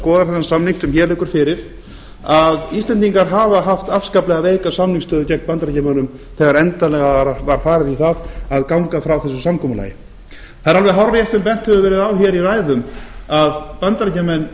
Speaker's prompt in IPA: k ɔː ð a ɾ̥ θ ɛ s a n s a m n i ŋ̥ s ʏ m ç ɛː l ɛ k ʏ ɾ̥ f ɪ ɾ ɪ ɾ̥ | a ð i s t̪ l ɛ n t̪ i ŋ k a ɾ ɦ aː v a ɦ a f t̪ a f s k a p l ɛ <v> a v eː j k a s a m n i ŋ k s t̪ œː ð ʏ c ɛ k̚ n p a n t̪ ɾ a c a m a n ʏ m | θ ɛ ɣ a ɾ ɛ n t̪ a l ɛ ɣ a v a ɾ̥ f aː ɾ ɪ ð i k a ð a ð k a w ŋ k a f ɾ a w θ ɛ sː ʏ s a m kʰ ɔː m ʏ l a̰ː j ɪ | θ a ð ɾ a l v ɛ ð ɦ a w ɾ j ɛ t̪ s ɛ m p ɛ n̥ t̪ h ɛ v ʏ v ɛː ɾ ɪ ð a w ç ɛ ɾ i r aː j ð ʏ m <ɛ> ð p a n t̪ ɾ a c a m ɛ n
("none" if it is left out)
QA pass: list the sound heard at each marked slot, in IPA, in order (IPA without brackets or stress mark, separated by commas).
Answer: ɣ, a